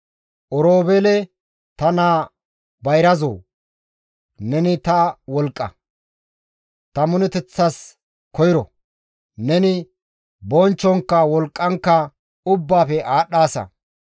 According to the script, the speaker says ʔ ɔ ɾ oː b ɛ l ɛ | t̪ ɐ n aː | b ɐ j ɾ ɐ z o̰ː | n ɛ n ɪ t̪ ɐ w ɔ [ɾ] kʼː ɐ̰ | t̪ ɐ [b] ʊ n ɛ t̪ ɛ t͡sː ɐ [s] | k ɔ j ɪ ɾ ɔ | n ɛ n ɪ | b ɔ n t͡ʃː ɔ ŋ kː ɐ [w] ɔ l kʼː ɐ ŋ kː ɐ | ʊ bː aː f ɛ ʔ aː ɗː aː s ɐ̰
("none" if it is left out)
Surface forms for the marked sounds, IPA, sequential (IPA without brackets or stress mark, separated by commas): l, m, s, w